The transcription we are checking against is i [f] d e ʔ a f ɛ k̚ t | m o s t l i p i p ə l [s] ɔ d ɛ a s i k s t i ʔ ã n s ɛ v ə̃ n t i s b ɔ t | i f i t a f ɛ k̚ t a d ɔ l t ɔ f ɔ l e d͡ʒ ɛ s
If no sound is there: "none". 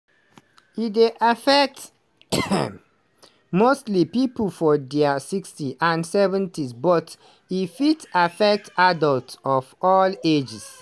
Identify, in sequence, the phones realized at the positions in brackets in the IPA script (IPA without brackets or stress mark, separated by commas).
none, f